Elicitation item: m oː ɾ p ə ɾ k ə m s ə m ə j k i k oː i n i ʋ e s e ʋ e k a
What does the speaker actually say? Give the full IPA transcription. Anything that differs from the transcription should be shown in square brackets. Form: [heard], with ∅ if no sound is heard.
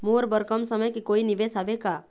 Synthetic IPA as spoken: m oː ɾ [b] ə ɾ k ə m s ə m ə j k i k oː i n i ʋ e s [a] ʋ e k a